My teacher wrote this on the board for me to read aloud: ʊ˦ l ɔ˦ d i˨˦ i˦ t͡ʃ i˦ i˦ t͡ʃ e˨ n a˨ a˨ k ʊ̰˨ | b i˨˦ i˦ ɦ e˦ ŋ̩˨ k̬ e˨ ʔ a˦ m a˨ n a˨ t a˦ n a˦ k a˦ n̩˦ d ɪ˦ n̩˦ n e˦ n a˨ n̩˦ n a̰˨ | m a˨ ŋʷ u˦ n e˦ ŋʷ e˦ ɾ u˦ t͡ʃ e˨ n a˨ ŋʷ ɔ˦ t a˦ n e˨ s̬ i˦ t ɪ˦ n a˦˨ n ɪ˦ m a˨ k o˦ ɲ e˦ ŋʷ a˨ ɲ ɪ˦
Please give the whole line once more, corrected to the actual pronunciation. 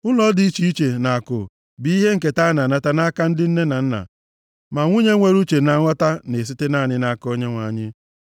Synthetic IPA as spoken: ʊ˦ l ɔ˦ d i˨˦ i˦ t͡ʃ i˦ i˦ t͡ʃ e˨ n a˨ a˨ k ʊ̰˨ | b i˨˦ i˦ ɦ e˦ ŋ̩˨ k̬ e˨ t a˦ n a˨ n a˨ t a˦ n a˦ k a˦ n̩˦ d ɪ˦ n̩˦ n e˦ n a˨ n̩˦ n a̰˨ | m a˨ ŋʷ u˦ ɲ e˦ ŋʷ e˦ ɾ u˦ t͡ʃ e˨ n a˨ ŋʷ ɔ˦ t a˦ n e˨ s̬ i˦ t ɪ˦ n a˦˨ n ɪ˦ n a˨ k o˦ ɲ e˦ ŋʷ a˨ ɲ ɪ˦